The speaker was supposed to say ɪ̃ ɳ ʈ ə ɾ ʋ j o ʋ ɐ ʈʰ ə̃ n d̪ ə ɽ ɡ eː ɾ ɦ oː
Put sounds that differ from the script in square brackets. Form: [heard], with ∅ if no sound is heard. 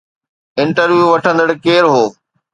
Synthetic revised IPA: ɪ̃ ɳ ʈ ə ɾ ʋ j [u] ʋ ɐ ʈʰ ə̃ n d̪ ə ɽ [k] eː ɾ ɦ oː